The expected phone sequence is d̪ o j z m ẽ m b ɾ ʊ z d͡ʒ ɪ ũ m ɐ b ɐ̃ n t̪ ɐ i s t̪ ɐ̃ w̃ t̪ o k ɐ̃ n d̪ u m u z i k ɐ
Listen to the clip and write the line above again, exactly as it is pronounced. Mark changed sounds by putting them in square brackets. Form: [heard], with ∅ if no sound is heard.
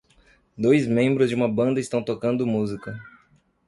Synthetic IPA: d̪ o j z m ẽ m b ɾ ʊ z d͡ʒ ɪ ũ m ɐ b ɐ̃ n [d̪] ɐ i s t̪ ɐ̃ w̃ t̪ o k ɐ̃ n d̪ [ʊ] m u z i k ɐ